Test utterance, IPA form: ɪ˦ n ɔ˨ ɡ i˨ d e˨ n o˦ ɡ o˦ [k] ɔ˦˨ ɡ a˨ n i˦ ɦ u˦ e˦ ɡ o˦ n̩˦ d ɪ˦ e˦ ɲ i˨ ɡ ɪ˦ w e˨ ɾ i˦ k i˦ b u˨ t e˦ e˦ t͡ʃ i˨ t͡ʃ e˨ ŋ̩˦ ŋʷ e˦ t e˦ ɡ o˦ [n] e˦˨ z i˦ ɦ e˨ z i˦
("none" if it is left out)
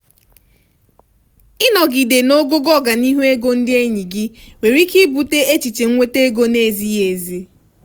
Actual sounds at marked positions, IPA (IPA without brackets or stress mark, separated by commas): ɡ, n